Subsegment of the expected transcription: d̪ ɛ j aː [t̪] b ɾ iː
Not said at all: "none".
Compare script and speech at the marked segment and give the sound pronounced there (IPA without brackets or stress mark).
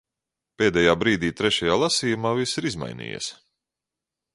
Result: none